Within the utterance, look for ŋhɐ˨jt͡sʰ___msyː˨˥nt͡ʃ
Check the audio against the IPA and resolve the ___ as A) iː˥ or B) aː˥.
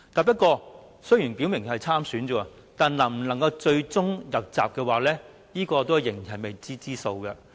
B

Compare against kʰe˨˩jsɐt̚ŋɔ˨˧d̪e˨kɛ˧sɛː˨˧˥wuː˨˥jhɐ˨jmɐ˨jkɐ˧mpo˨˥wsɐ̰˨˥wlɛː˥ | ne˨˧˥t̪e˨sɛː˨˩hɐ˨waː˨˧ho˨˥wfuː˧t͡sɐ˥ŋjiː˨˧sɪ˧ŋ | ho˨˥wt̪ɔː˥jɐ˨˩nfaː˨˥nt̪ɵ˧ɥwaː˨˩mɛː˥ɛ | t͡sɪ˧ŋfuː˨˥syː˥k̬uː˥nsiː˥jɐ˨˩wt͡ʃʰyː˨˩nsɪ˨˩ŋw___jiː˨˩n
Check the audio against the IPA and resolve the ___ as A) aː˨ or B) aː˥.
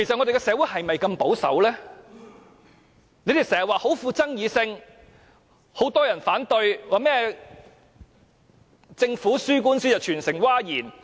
B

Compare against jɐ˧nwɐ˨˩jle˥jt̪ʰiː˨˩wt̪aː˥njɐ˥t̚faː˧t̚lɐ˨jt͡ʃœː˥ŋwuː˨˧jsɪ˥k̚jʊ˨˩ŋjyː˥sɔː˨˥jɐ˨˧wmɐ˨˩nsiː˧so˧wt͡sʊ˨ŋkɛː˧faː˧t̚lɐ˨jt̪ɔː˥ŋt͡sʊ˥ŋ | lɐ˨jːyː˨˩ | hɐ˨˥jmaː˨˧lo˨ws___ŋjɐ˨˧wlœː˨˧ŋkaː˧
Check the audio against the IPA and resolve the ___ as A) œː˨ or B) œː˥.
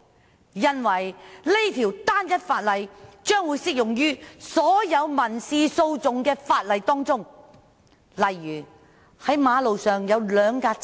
A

